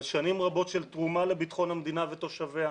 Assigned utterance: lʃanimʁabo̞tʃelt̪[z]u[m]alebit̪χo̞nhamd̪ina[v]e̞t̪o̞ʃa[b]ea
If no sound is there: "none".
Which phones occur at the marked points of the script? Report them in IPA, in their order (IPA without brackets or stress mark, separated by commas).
ʁ, m, v, v